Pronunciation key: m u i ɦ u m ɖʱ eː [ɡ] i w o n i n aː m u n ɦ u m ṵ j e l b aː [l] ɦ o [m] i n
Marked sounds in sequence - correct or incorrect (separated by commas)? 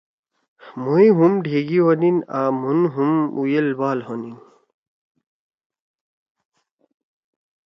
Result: correct, correct, incorrect